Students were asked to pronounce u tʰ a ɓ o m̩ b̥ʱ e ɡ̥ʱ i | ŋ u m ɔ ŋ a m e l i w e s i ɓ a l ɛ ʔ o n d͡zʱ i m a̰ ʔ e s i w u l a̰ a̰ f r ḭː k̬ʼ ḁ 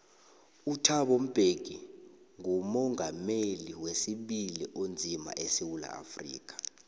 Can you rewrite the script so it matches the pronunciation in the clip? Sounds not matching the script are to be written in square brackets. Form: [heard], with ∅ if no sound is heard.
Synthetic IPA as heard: u tʰ a ɓ o m̩ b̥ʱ e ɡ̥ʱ i | ŋ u m ɔ ŋ a m e l i w e s i ɓ [i] l [i] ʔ o n d͡zʱ i m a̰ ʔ e s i w u l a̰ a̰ f r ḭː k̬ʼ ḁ